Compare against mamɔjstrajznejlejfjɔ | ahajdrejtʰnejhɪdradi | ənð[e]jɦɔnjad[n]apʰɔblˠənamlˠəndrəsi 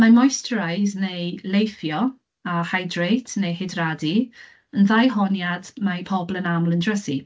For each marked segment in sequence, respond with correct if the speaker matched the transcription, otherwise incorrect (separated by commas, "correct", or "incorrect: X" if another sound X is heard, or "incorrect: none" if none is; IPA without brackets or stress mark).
incorrect: a, incorrect: m